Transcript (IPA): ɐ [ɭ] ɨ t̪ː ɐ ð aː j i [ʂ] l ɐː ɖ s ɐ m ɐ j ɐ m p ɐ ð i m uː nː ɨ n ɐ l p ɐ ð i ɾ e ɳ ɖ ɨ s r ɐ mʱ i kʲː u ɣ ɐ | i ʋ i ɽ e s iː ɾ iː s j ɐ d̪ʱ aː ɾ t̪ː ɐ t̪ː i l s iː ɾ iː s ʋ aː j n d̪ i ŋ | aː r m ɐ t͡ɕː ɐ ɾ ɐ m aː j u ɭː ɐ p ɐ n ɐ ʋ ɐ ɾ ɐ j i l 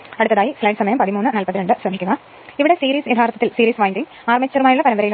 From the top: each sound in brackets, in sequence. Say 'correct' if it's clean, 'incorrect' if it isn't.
incorrect, incorrect

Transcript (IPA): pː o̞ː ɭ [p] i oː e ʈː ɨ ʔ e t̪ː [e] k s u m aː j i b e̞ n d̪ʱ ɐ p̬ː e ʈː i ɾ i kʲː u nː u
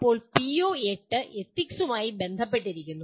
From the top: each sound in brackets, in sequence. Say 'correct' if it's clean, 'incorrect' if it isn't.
correct, incorrect

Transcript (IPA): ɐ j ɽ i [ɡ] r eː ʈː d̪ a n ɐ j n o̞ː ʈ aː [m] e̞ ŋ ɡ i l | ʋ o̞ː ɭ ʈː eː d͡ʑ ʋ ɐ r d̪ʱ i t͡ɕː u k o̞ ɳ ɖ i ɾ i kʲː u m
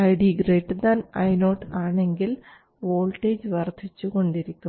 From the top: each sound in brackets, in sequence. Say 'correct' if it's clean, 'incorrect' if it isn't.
correct, incorrect

